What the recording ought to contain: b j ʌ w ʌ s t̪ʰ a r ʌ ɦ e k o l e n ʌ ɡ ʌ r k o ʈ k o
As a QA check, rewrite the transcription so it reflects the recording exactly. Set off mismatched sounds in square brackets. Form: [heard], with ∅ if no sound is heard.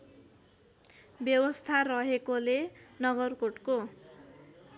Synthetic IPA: b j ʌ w ʌ s t̪ʰ a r ʌ ɦ e k o l e n ʌ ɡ ʌ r k o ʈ k o